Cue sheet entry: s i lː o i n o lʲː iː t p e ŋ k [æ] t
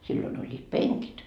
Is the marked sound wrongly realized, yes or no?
yes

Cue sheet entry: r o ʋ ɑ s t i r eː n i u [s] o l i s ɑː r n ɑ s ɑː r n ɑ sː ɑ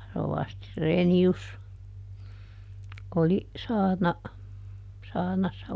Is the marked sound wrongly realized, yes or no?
no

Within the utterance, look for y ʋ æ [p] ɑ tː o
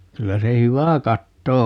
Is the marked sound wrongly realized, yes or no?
yes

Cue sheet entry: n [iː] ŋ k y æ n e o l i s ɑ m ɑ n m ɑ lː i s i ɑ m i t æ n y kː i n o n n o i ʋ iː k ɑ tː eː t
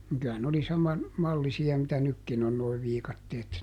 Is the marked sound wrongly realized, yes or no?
yes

